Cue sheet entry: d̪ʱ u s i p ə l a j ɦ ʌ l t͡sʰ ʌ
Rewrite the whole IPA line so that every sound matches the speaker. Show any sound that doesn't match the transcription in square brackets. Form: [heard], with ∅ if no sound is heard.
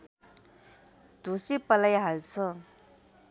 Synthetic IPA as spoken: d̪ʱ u s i p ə l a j ɦ [a] l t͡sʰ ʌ